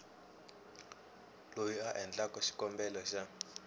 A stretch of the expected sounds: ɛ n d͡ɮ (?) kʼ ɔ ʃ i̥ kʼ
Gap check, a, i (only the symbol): a